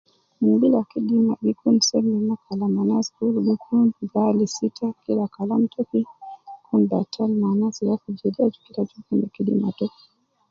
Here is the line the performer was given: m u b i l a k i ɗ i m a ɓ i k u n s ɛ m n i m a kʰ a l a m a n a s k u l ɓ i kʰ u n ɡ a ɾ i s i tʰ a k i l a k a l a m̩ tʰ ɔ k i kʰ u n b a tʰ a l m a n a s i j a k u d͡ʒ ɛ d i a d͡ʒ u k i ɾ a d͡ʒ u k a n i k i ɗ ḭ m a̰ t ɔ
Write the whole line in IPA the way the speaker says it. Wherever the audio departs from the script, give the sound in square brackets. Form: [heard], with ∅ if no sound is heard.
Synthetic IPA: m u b i l a k i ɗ i m a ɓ i k u n s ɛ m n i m a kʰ a l a m a n a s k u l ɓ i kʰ u n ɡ a [l] i s i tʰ a k i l a k a l a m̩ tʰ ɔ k i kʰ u n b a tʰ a l m a n a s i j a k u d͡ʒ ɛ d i a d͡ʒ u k i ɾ a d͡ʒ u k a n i k i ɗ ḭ m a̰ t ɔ